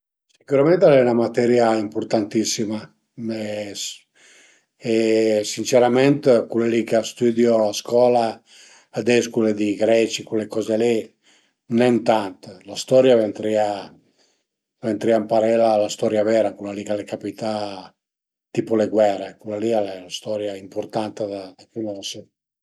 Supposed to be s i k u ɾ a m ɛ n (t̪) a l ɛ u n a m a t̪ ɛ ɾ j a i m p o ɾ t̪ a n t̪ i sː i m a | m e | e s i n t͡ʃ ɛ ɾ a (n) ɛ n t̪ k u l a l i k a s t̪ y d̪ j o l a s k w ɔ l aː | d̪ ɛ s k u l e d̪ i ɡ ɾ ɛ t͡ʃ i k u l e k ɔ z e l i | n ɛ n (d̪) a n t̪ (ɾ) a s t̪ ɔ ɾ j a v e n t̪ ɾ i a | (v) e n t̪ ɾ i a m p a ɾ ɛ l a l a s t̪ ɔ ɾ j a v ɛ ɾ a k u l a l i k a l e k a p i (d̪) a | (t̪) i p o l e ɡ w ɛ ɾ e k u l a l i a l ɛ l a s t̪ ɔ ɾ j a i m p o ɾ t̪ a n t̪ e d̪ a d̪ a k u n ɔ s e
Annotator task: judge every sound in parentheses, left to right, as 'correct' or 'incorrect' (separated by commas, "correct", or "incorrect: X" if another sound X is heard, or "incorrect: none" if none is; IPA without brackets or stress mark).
correct, incorrect: m, incorrect: t̪, incorrect: l, correct, incorrect: t̪, correct